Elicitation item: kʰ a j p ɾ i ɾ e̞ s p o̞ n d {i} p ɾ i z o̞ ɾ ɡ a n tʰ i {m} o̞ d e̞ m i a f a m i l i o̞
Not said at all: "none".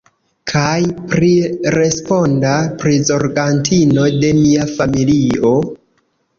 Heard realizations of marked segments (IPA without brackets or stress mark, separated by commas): a, n